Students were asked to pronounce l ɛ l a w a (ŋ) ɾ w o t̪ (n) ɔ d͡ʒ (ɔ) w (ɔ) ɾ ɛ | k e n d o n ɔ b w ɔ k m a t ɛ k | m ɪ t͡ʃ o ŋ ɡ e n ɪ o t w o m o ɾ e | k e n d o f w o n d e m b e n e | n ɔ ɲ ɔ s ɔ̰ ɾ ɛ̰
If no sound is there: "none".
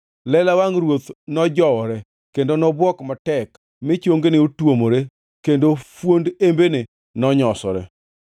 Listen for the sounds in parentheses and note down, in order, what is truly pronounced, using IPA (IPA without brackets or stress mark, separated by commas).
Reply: ŋ, n, ɔ, ɔ